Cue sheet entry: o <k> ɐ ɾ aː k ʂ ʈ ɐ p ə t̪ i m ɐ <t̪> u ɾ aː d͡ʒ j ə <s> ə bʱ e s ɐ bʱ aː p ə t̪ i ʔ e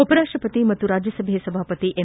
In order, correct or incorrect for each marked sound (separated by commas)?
incorrect, correct, correct